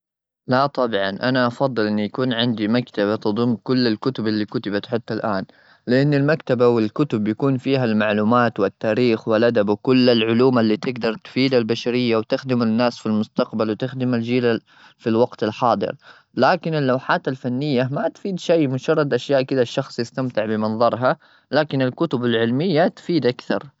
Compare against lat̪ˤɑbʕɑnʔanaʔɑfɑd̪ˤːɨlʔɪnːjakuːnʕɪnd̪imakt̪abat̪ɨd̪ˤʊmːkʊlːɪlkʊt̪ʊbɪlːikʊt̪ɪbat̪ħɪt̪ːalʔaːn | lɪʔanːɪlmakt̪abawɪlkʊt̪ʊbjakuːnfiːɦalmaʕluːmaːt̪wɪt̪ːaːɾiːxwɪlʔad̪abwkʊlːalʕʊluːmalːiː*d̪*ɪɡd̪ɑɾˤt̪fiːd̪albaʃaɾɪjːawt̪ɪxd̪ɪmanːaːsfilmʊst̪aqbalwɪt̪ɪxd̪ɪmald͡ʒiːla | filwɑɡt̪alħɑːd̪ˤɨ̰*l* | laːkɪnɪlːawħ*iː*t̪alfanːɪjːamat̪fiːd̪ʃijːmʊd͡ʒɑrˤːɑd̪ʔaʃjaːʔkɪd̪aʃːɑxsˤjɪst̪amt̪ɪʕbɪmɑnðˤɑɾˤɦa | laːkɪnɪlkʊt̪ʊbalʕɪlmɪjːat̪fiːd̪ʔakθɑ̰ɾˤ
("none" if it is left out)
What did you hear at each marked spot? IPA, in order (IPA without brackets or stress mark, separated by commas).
t̪, ɾ, aː